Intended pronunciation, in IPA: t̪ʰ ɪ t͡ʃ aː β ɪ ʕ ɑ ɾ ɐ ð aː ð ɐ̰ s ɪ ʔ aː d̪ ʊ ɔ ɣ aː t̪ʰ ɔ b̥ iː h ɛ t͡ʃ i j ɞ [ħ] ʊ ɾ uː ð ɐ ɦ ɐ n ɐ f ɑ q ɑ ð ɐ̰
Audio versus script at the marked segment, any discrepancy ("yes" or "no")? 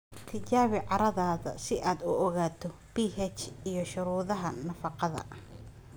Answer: yes